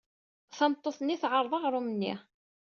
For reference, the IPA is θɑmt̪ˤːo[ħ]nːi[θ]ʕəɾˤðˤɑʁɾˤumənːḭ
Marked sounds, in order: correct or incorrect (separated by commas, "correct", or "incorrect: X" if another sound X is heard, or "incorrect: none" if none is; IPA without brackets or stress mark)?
incorrect: θ, correct